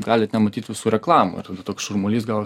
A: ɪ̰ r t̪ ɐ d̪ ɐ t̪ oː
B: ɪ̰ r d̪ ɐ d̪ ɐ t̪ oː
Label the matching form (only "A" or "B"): A